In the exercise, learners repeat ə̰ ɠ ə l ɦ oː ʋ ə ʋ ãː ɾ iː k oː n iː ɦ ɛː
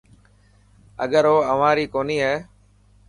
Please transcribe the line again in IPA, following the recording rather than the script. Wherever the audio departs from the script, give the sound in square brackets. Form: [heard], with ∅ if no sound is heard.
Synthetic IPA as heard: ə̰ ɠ ə [ɾ] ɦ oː [∅] ə ʋ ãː ɾ iː k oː n iː ɦ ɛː

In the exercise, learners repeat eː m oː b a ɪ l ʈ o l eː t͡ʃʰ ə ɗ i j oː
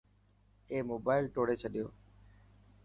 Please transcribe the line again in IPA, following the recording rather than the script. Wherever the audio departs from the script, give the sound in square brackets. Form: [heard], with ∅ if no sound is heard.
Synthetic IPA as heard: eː m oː b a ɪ l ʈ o [ɽ] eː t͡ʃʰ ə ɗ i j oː

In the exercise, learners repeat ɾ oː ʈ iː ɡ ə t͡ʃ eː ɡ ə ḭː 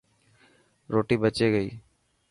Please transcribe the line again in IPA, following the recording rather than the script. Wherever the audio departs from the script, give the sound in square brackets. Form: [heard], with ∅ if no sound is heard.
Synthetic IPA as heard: ɾ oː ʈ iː [b] ə t͡ʃ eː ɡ ə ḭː

